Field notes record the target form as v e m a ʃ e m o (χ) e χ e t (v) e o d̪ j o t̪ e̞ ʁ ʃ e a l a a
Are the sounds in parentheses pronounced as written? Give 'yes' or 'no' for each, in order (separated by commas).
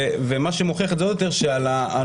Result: yes, no